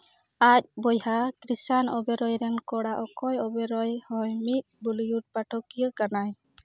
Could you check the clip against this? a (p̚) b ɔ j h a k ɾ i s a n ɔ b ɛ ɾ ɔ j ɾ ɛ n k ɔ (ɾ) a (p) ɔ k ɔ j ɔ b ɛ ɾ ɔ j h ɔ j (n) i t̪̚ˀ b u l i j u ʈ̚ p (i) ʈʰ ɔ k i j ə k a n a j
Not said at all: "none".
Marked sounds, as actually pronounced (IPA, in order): c̚, ɽ, ʔ, m, a

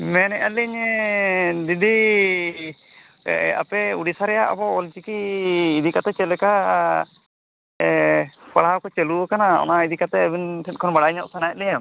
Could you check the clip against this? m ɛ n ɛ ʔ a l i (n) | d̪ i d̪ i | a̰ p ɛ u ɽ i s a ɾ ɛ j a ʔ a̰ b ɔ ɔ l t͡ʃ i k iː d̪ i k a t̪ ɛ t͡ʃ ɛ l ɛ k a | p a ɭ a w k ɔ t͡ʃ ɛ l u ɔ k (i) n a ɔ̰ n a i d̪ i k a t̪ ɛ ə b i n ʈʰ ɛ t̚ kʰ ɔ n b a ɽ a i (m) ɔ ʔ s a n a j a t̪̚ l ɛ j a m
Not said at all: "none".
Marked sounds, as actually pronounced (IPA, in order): ɲ, a, ɲ

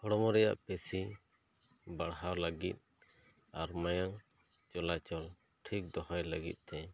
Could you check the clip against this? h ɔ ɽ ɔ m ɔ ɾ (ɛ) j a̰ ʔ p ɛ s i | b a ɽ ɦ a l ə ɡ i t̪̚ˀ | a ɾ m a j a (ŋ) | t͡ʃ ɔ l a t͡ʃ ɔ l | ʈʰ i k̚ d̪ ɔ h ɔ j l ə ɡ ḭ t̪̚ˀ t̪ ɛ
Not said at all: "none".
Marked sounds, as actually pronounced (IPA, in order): ɛ, ŋ

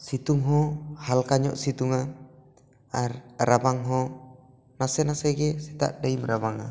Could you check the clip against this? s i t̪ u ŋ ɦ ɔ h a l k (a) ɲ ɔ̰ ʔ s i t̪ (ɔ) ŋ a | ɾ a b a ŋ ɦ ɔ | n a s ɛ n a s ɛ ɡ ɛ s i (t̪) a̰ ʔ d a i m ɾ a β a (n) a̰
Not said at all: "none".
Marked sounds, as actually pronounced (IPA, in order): a, u, t̪, ŋ

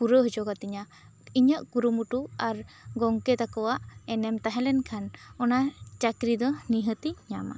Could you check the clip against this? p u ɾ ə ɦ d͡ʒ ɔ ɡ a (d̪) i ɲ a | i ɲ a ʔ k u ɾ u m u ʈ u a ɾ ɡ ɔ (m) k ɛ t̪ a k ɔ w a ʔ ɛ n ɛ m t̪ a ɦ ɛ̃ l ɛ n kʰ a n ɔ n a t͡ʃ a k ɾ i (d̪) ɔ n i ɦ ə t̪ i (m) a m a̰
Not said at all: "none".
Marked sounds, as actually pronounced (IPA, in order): t̪, ŋ, d̪, ɲ

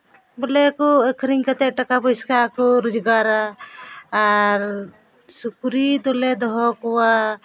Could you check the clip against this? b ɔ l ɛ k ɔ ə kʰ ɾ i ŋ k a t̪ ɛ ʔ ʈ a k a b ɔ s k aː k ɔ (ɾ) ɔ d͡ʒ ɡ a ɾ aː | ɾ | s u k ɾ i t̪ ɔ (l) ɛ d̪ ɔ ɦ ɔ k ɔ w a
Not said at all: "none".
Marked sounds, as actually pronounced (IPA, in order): ɾ, l

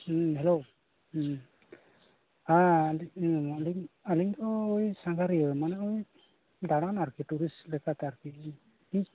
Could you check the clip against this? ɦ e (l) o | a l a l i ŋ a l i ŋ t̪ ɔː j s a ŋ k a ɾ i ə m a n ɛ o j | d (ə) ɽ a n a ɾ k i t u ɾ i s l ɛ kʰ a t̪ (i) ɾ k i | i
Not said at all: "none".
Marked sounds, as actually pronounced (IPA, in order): l, a, a

